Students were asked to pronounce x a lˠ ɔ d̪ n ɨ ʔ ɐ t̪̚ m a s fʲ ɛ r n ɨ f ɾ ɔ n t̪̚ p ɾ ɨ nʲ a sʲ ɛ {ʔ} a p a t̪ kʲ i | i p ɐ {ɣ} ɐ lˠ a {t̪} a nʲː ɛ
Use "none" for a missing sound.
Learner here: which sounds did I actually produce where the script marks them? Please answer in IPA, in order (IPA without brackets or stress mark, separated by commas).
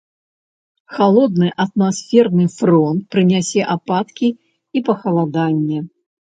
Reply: ʔ, x, d̪